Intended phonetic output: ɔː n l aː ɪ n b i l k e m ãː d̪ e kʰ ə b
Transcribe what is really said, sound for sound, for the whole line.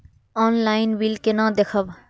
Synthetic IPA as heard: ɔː n l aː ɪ n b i l k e n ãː d̪ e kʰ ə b